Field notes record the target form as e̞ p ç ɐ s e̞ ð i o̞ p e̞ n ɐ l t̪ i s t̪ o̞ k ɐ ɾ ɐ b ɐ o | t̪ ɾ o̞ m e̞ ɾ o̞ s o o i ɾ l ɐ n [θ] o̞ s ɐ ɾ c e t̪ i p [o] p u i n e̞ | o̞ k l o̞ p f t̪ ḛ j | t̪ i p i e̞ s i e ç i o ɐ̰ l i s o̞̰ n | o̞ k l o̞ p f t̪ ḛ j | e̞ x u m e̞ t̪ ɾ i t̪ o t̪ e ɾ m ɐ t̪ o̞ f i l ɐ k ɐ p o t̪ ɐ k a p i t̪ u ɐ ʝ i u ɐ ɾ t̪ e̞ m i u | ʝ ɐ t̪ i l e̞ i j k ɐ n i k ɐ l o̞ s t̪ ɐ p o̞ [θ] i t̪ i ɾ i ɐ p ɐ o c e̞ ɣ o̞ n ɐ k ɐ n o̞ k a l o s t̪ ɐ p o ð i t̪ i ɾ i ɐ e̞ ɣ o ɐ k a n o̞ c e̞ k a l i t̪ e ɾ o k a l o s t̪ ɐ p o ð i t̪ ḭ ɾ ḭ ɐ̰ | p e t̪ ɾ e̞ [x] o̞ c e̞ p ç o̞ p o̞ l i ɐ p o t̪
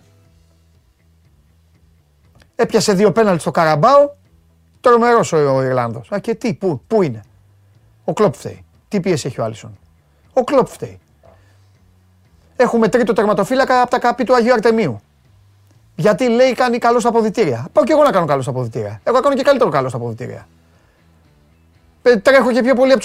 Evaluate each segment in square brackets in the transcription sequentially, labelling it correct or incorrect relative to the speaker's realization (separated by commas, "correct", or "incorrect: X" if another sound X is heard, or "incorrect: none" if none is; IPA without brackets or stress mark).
incorrect: ð, incorrect: u, incorrect: ð, correct